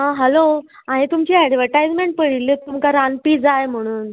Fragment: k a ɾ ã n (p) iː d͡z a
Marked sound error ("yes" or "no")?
no